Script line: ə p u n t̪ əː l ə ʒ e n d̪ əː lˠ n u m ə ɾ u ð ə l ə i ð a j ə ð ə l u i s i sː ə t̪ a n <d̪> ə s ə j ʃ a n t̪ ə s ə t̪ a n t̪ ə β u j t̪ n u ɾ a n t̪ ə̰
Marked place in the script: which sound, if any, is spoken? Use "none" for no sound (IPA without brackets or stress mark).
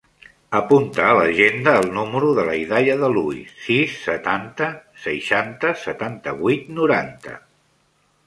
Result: t̪